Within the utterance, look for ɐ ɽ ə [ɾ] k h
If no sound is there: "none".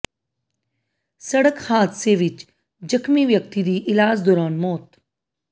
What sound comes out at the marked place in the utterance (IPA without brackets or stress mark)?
none